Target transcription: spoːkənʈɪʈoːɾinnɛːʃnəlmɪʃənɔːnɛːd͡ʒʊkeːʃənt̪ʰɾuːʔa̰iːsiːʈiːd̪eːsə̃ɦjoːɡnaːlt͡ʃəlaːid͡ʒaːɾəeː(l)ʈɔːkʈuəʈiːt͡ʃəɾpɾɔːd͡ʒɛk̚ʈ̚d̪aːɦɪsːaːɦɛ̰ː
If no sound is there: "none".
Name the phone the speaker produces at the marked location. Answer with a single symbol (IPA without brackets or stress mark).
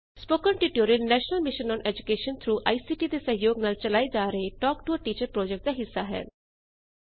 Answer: none